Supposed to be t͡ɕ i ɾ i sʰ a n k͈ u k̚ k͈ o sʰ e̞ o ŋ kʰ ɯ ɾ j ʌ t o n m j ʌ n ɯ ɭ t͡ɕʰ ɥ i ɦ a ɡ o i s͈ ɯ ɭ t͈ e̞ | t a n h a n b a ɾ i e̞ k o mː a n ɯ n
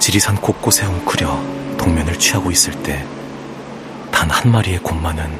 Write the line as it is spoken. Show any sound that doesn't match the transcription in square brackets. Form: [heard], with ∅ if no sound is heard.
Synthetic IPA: t͡ɕ i ɾ i sʰ a n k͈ [o] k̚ k͈ o sʰ e̞ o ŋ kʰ ɯ ɾ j ʌ t o [ŋ] m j ʌ n ɯ ɭ t͡ɕʰ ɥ i ɦ a ɡ o i s͈ ɯ ɭ t͈ e̞ | t a n h a n [m] a ɾ i e̞ k o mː a n ɯ n